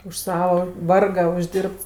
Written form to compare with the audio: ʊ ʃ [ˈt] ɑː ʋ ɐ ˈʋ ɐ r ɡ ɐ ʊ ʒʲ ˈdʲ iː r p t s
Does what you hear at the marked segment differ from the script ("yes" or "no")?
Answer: yes